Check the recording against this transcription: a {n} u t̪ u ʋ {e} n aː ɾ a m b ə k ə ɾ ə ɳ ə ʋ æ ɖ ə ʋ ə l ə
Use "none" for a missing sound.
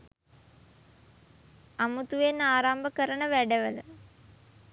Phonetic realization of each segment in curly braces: m, e

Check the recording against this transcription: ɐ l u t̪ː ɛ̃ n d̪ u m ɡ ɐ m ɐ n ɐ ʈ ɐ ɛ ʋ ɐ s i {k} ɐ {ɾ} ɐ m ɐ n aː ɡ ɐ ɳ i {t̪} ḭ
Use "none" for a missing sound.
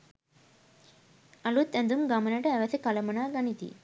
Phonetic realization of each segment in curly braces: k, l, t̪

